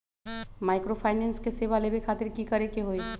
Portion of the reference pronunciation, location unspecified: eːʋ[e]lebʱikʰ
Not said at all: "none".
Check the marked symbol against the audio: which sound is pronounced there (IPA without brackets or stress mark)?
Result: a